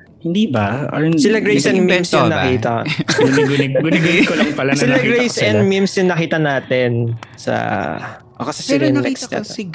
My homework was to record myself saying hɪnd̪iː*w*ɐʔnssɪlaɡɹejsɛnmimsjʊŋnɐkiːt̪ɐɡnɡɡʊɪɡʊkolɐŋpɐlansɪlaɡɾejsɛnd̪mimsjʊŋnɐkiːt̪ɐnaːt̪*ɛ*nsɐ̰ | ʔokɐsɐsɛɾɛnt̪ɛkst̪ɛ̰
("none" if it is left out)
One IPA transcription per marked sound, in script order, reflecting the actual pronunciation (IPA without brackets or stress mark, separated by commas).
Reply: b, ɛ